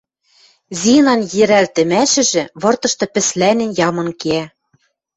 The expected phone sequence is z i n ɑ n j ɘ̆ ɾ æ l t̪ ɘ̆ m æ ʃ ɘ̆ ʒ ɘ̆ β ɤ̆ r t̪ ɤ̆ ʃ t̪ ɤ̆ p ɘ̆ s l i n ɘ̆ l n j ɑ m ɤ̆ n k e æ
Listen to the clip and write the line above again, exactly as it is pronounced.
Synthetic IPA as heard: z i n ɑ n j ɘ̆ ɾ æ l t̪ ɘ̆ m æ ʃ ɘ̆ ʒ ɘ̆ β ɤ̆ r t̪ ɤ̆ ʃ t̪ ɤ̆ p ɘ̆ s l æ n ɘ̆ n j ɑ m ɤ̆ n k e æ